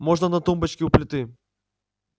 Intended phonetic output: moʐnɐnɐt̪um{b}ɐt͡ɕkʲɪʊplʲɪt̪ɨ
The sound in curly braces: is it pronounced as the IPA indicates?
yes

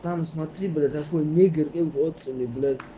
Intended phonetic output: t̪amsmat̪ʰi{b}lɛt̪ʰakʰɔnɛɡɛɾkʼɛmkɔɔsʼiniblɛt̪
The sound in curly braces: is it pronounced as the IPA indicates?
yes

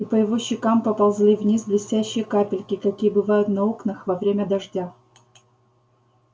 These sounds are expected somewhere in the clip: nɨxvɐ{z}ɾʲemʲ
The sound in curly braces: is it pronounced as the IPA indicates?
no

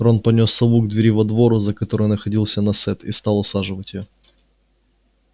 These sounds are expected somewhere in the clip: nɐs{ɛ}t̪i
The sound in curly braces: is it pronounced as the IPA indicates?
yes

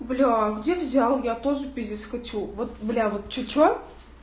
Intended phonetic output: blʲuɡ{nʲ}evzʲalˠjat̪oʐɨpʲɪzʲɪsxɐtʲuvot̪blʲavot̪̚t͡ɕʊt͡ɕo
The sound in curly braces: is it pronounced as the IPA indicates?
no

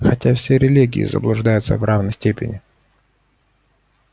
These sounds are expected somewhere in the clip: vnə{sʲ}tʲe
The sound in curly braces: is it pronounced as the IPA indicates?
yes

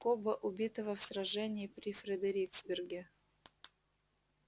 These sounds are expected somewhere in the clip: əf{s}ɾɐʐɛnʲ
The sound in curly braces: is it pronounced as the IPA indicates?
yes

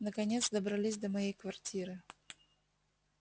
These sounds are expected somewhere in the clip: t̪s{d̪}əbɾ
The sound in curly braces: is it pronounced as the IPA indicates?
yes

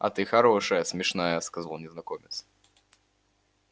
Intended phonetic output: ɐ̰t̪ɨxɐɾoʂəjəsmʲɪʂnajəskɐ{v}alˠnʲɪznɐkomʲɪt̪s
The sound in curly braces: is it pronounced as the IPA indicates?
no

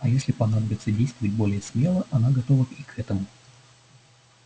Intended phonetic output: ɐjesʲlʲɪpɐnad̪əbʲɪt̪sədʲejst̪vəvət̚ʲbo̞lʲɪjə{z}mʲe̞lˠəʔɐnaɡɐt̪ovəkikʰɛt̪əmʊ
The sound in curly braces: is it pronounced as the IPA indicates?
no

